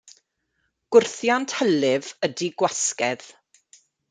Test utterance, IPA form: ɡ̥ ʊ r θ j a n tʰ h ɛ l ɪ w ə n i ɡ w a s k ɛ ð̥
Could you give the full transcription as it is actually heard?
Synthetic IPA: ɡ̥ ʊ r θ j a n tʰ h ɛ l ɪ v ə d i ɡ w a s k ɛ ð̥